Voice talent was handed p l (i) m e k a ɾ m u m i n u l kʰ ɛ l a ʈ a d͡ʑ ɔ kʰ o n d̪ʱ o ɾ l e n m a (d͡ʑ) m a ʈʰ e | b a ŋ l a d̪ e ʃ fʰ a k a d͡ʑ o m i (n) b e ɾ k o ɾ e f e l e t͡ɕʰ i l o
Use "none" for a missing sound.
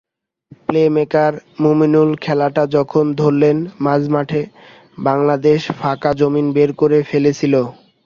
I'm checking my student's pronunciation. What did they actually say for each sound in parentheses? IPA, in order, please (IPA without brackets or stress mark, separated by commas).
e, d͡ʑ, n